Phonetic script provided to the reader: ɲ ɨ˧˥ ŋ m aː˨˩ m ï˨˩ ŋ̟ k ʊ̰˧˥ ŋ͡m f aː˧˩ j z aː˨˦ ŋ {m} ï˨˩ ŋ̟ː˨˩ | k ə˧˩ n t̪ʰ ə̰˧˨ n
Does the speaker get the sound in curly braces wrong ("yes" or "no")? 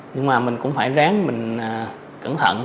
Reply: no